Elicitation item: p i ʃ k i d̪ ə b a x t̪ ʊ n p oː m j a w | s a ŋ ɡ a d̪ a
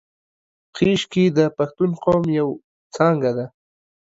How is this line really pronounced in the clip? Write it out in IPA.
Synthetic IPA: q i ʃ k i d̪ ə p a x t̪ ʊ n q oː m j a w | t͡s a ŋ ɡ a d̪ a

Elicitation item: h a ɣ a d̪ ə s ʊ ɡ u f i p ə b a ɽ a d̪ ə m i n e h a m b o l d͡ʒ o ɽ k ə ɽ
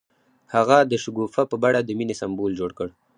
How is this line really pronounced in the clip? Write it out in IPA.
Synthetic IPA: h a ɣ a d̪ ə ʃ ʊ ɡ u f a p ə b a ɽ a d̪ ə m i n e s a m b o l d͡ʒ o ɽ k ə ɽ

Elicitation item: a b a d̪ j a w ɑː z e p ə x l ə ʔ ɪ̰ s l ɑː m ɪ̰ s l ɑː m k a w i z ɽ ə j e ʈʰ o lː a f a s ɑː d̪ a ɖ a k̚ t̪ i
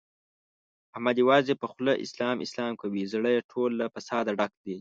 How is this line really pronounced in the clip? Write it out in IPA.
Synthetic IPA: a m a d̪ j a w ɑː z e p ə x l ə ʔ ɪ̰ s l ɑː m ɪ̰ s l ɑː m k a w i z ɽ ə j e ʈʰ o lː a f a s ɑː d̪ a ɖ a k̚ d̪ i

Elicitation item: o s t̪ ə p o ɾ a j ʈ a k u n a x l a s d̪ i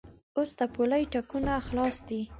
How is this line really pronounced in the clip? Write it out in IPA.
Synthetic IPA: o s d̪ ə p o l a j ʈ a k u n a x l ɑ s d̪ i

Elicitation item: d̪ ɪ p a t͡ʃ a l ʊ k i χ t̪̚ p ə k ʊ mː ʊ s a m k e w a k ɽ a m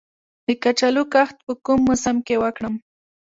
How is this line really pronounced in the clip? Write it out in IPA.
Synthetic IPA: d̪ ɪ k a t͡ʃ a l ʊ k a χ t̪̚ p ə k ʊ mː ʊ s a m k e w a k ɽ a m

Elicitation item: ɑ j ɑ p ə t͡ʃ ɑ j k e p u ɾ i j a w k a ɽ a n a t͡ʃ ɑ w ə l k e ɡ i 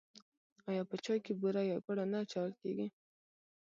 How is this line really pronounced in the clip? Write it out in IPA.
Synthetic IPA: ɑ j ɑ p ə t͡ʃ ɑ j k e b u ɾ a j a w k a ɽ a n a t͡ʃ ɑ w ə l k e ɡ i

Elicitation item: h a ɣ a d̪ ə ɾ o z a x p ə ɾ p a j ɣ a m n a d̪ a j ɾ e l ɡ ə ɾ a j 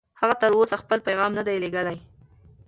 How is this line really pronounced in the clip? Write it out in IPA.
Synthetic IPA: h a ɣ a t̪ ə ɾ o s a x p ə l p a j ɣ ɑ m n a d̪ a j l e ɡ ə l a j

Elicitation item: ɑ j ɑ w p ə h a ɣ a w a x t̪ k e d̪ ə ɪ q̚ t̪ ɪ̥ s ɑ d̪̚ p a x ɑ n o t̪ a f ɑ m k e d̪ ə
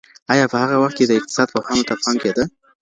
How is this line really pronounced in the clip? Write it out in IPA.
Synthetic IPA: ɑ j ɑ p ə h a ɣ a w a x t̪ k e d̪ ə ɪ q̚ t̪ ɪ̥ s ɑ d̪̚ p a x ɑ n o t̪ a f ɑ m k e d̪ ə

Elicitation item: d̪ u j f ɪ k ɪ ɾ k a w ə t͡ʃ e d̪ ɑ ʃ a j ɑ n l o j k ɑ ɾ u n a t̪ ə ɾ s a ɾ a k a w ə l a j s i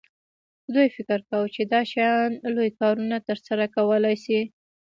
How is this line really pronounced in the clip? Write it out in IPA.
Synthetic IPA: d̪ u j f ɪ k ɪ ɾ k a w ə t͡ʃ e d̪ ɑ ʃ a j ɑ n l o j k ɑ ɾ u n a t̪ ə ɾ s a ɾ a k a w ə l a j s i

